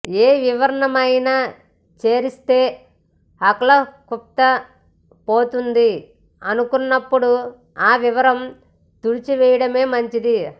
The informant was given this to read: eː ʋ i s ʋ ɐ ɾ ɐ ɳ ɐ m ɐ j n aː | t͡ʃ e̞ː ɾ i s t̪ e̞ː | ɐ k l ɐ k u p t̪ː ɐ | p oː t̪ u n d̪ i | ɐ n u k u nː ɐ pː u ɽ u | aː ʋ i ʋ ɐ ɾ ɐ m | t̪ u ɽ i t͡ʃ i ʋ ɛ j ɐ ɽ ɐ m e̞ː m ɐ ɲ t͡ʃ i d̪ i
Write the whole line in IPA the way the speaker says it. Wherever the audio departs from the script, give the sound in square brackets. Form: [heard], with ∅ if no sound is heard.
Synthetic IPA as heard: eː ʋ i [∅] ʋ ɐ ɾ ɐ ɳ ɐ m ɐ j n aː | t͡ʃ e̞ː ɾ i s t̪ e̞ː | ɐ k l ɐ k u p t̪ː ɐ | p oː t̪ u n d̪ i | ɐ n u k u nː ɐ pː u ɽ u | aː ʋ i ʋ ɐ ɾ ɐ m | t̪ u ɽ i t͡ʃ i ʋ ɛ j ɐ ɽ ɐ m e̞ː m ɐ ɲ t͡ʃ i d̪ i